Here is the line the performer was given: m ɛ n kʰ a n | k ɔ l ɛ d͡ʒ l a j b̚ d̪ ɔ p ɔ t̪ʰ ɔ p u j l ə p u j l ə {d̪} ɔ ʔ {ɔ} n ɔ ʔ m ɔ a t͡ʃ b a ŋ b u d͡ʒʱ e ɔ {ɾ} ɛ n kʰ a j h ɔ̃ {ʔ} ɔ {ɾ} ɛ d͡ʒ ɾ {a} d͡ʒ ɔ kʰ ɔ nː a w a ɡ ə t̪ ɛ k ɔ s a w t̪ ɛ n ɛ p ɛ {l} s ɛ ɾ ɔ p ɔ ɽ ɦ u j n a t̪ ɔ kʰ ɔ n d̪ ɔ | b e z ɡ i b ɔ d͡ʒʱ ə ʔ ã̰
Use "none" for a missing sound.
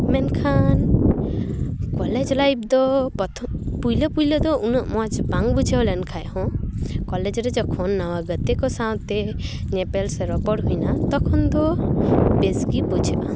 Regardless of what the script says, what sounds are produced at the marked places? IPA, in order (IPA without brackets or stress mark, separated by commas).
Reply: d̪, u, l, k, l, ɛ, l